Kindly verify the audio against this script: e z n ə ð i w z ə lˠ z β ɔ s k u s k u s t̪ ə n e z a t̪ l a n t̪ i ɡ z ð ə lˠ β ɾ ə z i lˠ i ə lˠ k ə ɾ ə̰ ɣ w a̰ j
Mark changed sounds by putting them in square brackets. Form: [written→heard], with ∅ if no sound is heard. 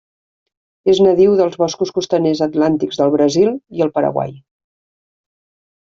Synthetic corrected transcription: e z n ə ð i w [z→ð] ə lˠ z β ɔ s k u s k u s t̪ ə n e z [a→ə] t̪ l a n t̪ i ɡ z ð ə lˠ β ɾ ə z i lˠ i ə lˠ [k→p] ə ɾ ə̰ ɣ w a̰ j